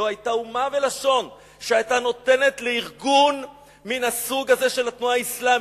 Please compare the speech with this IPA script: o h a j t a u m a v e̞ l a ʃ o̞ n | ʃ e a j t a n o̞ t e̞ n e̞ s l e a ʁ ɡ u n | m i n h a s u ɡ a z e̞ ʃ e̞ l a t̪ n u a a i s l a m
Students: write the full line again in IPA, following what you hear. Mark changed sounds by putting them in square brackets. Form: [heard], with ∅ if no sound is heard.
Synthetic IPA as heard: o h a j t a u m a v e̞ l a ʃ o̞ n | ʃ e a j t a n o̞ t e̞ n e̞ [t] l e [i] ʁ ɡ u n | m i n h a s u ɡ a z e̞ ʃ e̞ l a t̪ n u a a i s l a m